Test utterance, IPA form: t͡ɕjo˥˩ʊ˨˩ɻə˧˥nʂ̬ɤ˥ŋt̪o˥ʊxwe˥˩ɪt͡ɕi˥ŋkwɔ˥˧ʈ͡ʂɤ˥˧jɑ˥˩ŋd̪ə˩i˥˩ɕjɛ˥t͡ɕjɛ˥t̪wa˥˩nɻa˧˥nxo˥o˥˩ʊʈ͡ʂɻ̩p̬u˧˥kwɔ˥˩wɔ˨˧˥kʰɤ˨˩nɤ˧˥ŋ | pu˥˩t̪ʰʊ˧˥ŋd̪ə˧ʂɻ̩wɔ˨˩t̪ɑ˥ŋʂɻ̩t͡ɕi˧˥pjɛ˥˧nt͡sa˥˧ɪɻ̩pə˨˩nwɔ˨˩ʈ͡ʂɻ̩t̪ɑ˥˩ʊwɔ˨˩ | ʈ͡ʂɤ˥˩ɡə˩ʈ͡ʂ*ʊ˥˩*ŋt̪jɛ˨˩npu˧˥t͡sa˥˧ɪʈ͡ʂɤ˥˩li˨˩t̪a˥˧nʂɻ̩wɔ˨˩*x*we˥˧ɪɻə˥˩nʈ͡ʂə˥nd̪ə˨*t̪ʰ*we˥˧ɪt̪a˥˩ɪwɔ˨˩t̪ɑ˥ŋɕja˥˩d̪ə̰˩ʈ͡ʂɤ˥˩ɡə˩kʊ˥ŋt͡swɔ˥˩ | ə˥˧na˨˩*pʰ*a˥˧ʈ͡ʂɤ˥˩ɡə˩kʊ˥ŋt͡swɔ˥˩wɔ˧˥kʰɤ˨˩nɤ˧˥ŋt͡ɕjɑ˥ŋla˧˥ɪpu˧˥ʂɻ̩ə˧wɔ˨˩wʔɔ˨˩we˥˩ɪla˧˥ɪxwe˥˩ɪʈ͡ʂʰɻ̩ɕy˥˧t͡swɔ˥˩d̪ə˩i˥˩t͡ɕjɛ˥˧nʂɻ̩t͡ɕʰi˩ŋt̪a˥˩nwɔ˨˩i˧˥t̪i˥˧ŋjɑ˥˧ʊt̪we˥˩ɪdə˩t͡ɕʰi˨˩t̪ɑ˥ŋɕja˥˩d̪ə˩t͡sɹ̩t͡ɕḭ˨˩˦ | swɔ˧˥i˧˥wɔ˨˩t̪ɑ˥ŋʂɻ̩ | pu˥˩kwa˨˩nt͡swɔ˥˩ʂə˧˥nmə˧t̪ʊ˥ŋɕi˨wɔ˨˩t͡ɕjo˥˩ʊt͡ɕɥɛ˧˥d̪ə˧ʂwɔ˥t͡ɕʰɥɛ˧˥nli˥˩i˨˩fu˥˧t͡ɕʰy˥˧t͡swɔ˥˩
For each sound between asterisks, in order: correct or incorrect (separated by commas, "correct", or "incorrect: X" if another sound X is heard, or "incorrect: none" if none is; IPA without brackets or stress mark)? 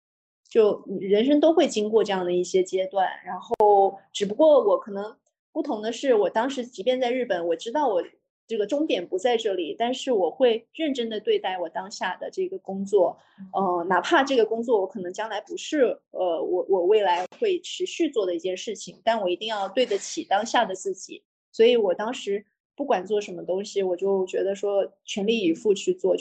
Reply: incorrect: ʊ˥, correct, incorrect: t̪, correct